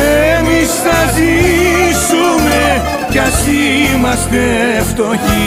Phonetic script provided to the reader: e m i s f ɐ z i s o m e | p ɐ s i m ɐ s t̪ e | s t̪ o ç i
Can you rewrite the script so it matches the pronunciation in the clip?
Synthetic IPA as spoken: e m i s θ ɐ z i s u m e | c ɐ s i m ɐ s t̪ e | f t̪ o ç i